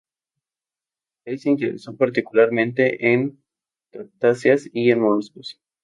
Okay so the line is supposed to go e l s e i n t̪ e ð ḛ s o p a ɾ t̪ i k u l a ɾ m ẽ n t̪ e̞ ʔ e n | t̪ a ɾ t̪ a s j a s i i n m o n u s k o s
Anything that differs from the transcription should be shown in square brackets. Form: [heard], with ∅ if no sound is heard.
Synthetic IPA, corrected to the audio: e l s e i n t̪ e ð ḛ s o p a ɾ t̪ i k u l a ɾ m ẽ n t̪ e̞ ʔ e n | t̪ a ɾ t̪ a s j a s i [e] n m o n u s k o s